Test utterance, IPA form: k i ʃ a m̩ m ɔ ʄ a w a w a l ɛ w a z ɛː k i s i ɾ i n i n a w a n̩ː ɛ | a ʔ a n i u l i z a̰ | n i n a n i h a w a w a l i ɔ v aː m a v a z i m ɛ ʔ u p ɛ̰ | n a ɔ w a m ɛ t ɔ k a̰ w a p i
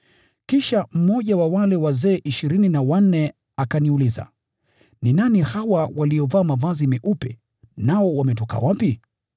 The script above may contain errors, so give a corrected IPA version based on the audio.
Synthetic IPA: k i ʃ a m̩ m ɔ ʄ a w a w a l ɛ w a z ɛː ʔ i ʃ i ɾ i n i n a w a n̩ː ɛ | a k a n i u l i z a̰ | n i n a n i h a w a w a l i ɔ v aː m a v a z i m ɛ ʔ u p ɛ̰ | n a ɔ w a m ɛ t ɔ k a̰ w a p i